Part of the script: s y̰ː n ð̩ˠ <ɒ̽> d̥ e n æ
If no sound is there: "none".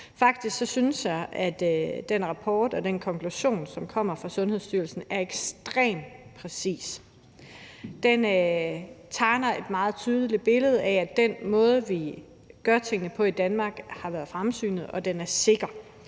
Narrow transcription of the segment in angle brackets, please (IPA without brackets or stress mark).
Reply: ɒ̽